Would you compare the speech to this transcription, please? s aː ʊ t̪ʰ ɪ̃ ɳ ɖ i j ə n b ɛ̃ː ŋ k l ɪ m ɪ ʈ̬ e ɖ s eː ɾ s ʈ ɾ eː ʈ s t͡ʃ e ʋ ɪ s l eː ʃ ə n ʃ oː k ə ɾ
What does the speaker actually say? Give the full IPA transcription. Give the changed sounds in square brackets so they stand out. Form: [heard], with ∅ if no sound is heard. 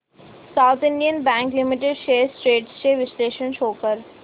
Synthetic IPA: s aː ʊ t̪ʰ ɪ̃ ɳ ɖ i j ə n b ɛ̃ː ŋ k l ɪ m ɪ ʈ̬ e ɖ [ʃ] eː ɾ s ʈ ɾ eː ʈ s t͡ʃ e ʋ ɪ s l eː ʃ ə n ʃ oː k ə ɾ